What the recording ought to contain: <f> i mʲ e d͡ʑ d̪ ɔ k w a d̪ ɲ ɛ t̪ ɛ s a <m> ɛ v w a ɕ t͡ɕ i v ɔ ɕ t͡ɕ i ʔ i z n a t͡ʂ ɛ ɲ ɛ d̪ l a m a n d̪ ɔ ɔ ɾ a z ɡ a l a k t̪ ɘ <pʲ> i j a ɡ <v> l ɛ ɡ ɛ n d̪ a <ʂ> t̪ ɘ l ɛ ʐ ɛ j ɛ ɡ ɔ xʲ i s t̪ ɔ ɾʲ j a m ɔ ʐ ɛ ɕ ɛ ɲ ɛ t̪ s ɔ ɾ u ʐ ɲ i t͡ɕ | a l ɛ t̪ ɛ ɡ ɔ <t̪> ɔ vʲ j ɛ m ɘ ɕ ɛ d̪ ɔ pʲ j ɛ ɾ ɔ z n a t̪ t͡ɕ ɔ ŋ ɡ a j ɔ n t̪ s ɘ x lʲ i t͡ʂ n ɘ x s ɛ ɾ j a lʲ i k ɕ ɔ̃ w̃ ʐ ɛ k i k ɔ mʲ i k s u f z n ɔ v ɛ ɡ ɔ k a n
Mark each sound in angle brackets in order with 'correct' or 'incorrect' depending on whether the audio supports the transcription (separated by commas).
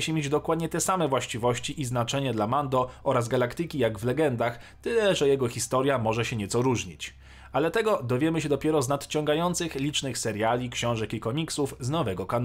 incorrect, correct, incorrect, correct, incorrect, incorrect